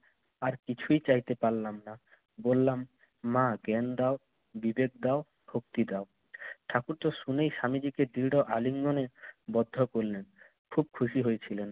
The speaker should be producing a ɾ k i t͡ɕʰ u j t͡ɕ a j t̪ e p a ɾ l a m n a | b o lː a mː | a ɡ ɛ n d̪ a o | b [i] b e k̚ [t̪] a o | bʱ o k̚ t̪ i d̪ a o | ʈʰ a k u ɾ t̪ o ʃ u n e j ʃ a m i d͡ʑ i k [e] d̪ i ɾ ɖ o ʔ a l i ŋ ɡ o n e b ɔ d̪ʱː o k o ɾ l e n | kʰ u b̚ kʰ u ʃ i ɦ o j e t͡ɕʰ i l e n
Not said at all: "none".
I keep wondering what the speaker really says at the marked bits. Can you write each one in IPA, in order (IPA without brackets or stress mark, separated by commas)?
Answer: i, d̪, e